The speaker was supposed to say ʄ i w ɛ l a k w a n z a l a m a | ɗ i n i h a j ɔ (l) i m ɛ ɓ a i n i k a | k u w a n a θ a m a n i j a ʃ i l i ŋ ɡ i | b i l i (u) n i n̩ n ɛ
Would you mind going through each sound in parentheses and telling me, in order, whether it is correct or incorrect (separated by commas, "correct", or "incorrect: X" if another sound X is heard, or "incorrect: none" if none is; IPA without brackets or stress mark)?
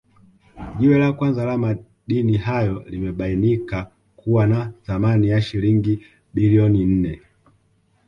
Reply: correct, incorrect: ɔ